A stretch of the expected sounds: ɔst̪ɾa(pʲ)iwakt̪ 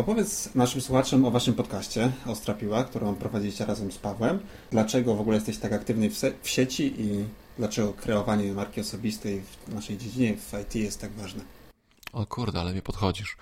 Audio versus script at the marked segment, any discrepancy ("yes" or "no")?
no